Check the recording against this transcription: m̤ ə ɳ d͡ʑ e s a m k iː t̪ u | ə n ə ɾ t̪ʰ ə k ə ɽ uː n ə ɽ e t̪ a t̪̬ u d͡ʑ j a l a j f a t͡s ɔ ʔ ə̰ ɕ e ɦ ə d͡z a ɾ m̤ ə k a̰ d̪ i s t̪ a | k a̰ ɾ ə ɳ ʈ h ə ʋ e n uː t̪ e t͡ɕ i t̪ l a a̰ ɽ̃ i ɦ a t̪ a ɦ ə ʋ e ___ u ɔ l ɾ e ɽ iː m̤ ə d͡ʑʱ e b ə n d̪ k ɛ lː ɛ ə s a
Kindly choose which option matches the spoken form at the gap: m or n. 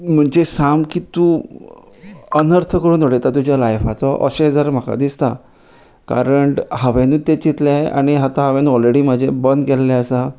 n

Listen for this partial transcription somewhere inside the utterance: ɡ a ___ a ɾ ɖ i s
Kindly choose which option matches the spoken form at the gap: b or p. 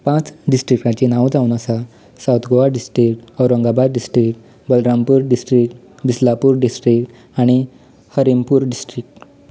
b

